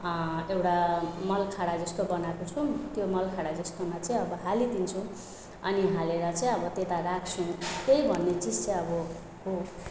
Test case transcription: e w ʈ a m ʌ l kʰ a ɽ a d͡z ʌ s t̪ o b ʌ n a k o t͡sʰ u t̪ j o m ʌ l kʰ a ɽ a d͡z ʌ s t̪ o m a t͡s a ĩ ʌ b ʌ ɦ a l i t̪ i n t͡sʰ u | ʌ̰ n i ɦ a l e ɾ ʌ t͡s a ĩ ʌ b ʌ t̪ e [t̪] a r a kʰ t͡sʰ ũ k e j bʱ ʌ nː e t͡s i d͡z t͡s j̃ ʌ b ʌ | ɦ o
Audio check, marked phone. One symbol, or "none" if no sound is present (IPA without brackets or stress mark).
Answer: t̪